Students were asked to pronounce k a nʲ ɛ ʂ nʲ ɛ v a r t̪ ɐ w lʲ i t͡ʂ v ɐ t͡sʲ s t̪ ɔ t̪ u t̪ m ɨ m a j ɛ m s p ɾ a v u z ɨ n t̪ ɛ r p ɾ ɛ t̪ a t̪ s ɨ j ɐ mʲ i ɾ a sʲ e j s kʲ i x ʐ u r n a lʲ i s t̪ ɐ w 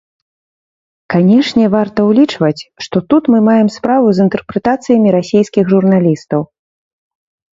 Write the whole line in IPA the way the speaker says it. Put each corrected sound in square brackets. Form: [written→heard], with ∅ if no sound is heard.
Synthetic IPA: k a nʲ ɛ ʂ nʲ ɛ v a r t̪ ɐ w lʲ i t͡ʂ v ɐ t͡sʲ [s→ʂ] t̪ ɔ t̪ u t̪ m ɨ m a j ɛ m s p ɾ a v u z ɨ n t̪ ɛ r p ɾ ɛ t̪ a t̪ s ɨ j ɐ mʲ i ɾ a sʲ e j s kʲ i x ʐ u r n a lʲ i s t̪ ɐ w